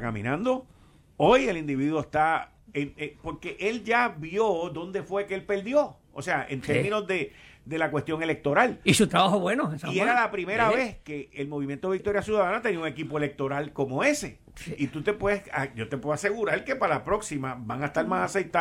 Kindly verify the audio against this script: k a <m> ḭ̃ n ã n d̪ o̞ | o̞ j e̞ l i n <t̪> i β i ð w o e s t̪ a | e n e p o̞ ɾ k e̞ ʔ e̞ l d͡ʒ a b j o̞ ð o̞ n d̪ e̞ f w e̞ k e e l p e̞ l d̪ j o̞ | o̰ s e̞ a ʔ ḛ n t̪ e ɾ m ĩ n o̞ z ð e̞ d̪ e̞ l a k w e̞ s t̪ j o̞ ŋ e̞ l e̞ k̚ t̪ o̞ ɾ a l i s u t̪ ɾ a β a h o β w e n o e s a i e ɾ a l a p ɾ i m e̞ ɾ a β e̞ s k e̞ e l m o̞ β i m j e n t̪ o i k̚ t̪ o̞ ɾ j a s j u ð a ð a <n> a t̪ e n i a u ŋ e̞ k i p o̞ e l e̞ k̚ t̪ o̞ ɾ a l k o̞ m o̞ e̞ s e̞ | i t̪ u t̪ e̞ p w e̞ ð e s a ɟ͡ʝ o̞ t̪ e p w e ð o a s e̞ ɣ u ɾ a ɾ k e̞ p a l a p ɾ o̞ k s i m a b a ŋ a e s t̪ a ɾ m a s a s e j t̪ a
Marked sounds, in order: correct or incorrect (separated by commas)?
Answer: correct, incorrect, correct